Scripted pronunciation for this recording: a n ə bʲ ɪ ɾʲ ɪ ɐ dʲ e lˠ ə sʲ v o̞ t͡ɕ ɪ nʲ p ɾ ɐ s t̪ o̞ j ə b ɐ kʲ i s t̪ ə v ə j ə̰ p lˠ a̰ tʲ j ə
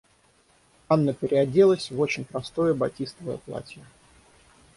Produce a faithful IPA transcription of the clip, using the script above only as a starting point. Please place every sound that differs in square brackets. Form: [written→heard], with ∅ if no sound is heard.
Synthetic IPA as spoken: a [n→nː] ə [bʲ→pʲ] ɪ ɾʲ ɪ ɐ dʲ e lˠ ə sʲ v o̞ t͡ɕ ɪ nʲ p ɾ ɐ s t̪ o̞ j ə b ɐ [kʲ→tʲ] i s t̪ ə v ə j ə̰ p lˠ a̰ tʲ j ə